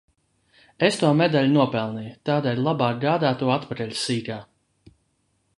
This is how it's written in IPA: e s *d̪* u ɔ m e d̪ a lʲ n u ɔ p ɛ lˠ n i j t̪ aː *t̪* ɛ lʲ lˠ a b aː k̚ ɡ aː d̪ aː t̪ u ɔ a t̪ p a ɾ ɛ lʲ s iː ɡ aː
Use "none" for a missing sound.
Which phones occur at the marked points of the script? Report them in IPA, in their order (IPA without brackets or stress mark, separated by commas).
t̪, d̪